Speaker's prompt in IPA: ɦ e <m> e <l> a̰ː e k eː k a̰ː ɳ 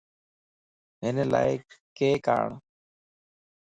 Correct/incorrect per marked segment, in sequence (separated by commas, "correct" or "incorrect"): incorrect, correct